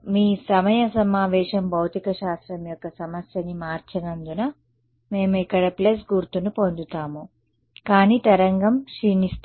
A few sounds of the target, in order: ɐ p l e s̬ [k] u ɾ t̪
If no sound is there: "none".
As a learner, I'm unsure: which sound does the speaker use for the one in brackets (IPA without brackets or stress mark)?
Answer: ɡ